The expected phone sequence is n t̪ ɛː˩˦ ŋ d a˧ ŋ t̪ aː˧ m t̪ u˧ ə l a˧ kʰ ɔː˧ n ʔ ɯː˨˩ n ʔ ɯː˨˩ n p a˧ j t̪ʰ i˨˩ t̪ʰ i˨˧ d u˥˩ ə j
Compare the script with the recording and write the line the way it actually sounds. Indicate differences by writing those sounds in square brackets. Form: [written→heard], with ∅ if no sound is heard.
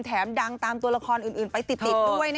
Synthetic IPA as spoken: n [t̪→t̪ʰ] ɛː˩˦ [ŋ→m] d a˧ ŋ t̪ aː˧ m t̪ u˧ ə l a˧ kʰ ɔː˧ n ʔ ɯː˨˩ n ʔ ɯː˨˩ n p a˧ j [t̪ʰ→t̪] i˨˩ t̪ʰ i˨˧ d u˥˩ ə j